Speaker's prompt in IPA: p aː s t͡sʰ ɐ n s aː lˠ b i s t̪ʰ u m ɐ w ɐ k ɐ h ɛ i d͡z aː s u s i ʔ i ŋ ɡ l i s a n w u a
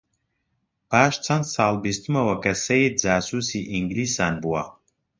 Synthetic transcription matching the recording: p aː ʃ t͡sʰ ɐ n s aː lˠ b i s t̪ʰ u m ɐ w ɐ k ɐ s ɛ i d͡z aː s u s i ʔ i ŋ ɡ l i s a n b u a